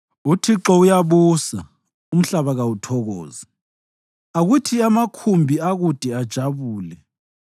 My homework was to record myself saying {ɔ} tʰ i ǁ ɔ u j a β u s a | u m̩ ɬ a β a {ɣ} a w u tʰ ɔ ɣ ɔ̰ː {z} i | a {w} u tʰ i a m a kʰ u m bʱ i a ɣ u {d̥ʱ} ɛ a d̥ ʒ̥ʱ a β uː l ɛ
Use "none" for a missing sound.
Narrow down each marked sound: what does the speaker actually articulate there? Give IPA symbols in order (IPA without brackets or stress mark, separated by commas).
u, ɣ, z, ɣ, d̥ʱ